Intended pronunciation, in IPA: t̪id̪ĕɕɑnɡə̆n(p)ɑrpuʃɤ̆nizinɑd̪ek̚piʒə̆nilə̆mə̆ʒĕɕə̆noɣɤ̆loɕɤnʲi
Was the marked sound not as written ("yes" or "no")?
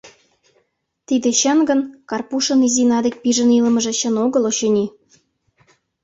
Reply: yes